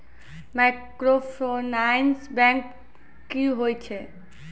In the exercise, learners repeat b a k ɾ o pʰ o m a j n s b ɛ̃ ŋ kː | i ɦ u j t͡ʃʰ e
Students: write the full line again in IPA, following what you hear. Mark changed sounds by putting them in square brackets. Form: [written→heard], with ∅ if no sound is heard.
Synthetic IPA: [b→m] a k ɾ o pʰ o [m→n] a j n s b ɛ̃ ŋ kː | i ɦ [u→o] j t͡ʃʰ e